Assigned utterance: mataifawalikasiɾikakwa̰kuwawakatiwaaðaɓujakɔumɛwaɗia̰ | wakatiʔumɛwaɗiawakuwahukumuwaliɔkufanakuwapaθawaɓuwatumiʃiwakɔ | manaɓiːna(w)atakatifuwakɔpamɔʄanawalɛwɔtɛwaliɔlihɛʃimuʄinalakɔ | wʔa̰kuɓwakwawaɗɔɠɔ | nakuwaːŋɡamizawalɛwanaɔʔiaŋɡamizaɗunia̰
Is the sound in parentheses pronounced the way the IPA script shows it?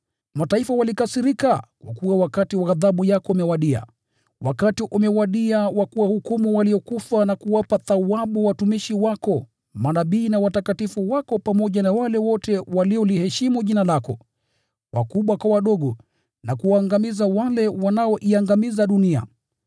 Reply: yes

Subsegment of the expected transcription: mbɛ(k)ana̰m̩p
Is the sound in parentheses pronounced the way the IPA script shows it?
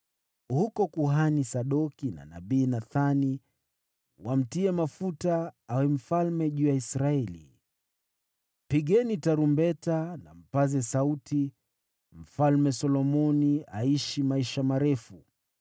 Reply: no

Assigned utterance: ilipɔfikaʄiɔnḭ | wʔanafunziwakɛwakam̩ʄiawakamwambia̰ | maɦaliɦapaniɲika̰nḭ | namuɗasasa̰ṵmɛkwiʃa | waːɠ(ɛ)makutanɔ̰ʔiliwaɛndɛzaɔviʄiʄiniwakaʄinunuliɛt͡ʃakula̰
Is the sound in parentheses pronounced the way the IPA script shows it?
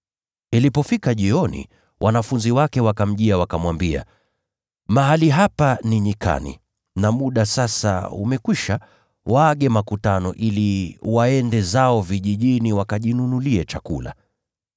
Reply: yes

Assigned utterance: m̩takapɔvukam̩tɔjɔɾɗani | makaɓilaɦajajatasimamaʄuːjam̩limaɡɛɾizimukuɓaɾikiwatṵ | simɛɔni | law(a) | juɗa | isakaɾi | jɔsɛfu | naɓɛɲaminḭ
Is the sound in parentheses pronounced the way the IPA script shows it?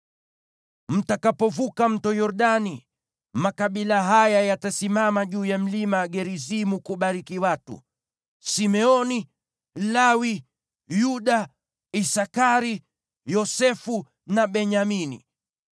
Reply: no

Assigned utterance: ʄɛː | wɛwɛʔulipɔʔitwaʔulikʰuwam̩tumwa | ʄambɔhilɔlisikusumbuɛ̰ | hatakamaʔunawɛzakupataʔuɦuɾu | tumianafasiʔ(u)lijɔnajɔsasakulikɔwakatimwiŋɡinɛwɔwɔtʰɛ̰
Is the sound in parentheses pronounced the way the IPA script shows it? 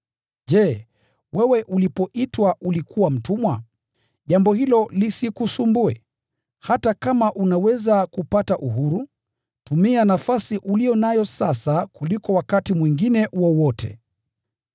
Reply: yes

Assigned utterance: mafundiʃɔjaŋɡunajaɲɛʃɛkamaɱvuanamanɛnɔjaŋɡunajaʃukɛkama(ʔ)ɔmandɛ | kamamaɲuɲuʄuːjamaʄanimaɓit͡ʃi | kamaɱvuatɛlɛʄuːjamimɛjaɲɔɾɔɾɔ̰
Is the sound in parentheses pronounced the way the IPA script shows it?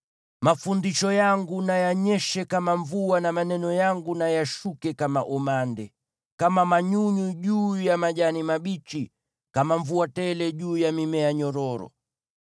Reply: yes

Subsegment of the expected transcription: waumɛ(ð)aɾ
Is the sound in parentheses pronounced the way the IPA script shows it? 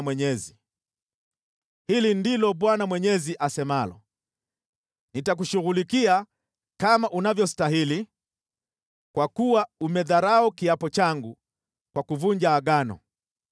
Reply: yes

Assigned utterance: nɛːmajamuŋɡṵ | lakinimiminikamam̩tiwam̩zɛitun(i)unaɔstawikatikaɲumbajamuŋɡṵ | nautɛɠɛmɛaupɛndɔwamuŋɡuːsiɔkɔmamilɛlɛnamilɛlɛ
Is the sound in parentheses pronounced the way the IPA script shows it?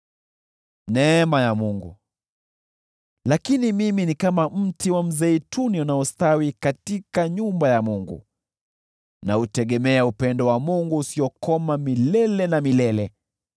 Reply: yes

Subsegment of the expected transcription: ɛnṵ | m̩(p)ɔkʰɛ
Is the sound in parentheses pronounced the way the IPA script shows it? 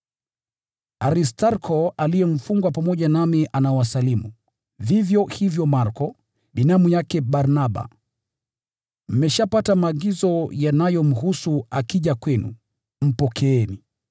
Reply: yes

